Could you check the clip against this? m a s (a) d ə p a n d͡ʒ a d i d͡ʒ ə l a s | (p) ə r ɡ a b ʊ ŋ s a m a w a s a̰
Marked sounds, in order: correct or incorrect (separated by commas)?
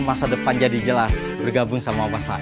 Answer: correct, incorrect